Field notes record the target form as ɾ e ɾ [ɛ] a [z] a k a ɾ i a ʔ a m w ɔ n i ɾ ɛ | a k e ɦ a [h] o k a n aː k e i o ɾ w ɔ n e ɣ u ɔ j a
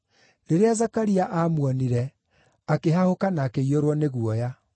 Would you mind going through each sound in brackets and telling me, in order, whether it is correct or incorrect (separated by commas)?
incorrect, correct, correct